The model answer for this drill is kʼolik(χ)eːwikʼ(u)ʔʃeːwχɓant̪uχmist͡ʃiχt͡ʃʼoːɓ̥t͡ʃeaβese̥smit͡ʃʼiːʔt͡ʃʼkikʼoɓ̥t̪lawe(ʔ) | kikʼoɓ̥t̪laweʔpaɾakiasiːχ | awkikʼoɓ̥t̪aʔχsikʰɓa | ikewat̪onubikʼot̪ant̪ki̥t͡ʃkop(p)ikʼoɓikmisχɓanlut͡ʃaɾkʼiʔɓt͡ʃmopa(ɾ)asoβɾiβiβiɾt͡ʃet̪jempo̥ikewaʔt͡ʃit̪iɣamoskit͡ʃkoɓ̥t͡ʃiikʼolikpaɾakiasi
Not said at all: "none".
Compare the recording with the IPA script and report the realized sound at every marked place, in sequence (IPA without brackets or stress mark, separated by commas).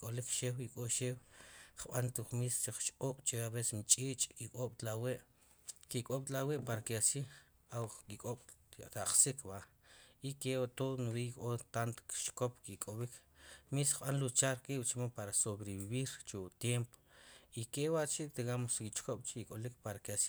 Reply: ʃ, o, ʔ, k, ɾ